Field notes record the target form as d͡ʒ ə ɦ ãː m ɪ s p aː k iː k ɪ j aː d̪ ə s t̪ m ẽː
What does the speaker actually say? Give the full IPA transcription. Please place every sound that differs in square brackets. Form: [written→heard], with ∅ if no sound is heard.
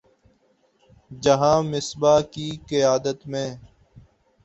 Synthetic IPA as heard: d͡ʒ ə ɦ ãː m ɪ s [p→b] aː k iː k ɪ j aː d̪ ə [s→∅] t̪ m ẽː